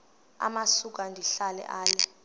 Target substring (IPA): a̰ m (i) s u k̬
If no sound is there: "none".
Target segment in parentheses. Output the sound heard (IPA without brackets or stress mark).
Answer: a